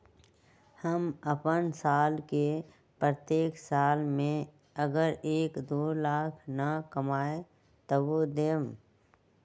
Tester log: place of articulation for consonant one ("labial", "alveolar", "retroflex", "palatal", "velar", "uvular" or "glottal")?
glottal